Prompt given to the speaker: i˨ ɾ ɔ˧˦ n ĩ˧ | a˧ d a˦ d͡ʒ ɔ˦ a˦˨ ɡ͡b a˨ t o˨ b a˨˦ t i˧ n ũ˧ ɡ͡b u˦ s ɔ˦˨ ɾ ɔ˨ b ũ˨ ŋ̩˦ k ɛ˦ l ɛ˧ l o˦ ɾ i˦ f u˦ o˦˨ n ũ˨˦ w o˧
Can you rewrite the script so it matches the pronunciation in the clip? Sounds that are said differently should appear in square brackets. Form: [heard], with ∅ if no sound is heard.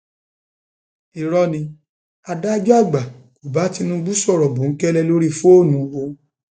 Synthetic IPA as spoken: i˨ ɾ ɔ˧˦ n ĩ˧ | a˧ d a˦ d͡ʒ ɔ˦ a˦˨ ɡ͡b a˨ [k] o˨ b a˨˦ t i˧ n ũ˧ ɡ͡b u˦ s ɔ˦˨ ɾ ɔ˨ b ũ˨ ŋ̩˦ k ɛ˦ l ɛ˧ l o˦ ɾ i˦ f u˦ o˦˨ n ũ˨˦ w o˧